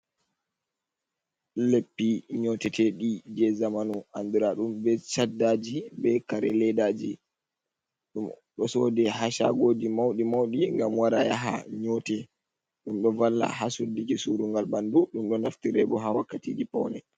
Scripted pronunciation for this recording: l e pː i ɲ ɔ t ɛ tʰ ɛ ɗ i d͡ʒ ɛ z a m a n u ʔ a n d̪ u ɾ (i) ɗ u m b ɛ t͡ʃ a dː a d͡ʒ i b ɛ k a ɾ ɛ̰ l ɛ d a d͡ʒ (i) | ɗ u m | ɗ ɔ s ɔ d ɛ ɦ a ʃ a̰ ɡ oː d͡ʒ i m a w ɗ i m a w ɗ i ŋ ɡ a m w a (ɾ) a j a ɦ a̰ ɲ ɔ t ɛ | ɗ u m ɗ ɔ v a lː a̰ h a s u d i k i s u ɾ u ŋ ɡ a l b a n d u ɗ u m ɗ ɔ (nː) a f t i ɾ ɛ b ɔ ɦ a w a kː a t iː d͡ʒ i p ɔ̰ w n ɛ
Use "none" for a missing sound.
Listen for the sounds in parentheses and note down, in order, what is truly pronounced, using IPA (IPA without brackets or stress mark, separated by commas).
a, i, ɾ, n